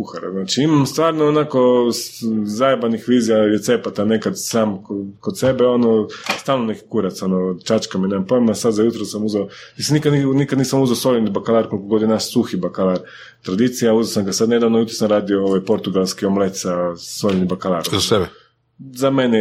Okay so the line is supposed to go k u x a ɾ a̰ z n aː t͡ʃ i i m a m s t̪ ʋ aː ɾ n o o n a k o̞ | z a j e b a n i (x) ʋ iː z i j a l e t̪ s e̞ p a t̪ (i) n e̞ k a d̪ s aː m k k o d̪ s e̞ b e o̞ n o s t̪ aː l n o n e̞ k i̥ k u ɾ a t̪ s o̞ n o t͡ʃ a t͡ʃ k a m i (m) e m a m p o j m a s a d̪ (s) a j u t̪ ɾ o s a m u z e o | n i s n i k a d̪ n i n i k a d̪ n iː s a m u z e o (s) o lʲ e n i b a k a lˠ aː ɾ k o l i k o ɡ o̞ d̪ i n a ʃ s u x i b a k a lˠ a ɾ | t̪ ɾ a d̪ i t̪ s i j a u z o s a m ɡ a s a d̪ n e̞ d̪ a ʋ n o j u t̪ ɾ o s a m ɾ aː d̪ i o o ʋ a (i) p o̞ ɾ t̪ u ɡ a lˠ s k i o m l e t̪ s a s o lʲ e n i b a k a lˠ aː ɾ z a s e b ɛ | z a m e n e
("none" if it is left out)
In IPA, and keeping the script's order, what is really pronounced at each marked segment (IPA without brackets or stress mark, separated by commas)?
x, a, n, z, s, j